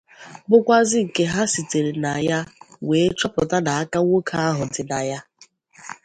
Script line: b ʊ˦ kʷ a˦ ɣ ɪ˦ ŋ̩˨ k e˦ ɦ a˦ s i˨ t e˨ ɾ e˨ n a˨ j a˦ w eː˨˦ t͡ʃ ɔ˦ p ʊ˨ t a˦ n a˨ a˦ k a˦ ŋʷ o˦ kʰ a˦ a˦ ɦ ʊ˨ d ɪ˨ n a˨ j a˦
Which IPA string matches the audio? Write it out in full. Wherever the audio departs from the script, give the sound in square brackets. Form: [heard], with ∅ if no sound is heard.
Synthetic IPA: b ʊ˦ kʷ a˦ [z] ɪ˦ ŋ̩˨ k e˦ ɦ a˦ s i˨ t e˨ ɾ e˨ n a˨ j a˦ w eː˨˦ t͡ʃ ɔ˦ p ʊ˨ t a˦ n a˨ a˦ k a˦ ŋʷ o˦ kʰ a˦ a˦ ɦ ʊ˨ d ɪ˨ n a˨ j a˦